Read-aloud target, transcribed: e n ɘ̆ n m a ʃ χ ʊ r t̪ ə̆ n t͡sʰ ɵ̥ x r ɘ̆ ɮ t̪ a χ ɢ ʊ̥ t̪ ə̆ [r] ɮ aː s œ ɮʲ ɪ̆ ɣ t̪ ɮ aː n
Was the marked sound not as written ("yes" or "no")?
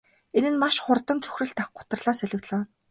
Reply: no